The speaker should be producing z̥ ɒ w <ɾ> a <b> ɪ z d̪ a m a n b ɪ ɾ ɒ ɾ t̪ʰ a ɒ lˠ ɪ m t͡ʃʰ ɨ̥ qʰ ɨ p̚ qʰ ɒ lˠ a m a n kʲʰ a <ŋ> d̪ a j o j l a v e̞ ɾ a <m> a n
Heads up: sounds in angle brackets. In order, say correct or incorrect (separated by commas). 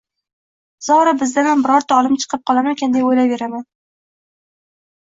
correct, correct, incorrect, correct